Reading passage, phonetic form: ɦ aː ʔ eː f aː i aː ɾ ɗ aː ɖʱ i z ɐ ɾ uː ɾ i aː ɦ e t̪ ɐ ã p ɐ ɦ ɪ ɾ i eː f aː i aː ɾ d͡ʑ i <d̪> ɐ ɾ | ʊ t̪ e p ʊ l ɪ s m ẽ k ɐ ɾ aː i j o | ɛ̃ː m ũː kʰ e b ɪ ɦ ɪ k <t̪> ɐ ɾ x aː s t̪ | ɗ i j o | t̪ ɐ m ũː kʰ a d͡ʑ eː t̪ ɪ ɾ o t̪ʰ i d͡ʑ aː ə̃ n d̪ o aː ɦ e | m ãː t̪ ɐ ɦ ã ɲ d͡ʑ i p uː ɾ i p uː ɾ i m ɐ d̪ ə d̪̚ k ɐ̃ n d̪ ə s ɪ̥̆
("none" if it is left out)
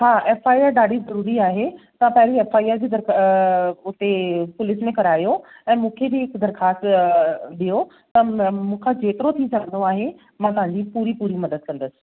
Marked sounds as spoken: d̪, d̪

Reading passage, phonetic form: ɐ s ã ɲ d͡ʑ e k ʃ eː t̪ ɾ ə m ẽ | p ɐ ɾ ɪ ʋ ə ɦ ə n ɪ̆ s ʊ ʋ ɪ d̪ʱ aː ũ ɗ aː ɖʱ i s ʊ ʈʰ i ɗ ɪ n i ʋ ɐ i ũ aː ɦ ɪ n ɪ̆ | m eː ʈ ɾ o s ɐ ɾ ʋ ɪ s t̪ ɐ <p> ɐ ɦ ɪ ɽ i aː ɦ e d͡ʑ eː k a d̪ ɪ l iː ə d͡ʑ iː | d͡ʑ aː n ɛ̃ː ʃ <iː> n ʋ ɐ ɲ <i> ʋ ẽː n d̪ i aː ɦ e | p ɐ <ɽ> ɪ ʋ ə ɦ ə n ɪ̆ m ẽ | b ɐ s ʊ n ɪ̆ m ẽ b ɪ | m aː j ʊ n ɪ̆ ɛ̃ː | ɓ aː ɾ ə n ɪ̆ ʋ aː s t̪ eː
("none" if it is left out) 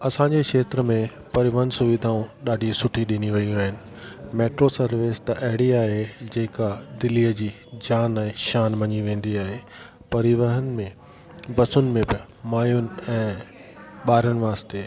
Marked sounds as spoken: ʔ, aː, i, ɾ

